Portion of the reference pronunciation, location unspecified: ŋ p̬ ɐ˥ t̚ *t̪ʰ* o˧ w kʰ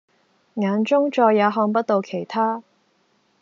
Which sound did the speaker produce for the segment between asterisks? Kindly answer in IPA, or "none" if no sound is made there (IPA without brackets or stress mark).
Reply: t̪